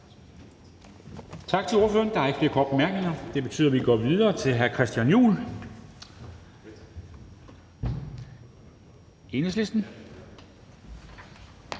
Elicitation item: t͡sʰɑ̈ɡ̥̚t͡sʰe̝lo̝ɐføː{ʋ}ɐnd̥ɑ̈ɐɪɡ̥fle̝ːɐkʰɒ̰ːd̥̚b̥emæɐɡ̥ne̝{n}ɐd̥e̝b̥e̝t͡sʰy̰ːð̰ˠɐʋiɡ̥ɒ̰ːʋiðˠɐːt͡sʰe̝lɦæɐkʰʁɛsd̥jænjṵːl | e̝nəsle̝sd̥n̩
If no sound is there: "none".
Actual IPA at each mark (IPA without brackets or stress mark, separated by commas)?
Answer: none, ŋ